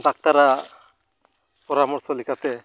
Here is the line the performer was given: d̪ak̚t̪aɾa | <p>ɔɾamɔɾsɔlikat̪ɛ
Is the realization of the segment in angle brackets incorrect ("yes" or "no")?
no